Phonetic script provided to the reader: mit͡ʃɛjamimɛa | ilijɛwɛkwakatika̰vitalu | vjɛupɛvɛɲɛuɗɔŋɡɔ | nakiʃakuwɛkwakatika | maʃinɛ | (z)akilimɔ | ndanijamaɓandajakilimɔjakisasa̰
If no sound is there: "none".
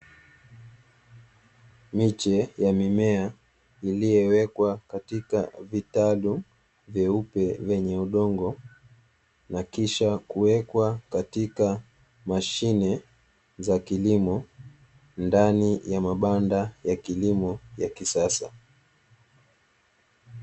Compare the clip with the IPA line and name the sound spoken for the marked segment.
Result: z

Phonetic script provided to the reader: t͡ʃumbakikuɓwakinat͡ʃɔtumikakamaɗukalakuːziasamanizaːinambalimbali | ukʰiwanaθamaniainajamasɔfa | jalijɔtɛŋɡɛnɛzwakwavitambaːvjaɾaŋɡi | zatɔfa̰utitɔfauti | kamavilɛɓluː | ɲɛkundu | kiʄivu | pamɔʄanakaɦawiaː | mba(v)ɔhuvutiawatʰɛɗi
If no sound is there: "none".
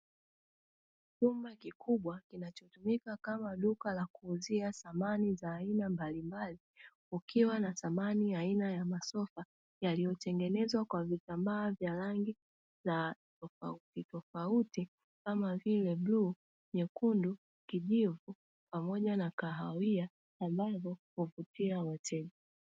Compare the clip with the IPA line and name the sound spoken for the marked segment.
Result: v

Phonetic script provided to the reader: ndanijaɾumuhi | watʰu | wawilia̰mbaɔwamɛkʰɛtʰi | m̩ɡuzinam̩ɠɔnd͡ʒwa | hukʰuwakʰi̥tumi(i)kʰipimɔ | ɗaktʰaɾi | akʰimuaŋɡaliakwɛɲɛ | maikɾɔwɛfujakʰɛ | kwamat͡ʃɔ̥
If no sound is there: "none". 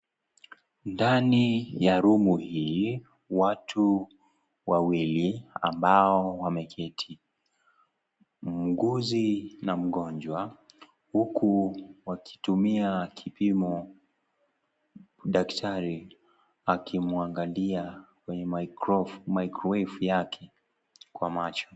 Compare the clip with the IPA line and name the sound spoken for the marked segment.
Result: a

